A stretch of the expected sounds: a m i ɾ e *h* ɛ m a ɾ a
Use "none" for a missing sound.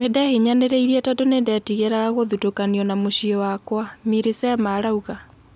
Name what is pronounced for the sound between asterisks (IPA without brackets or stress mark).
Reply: s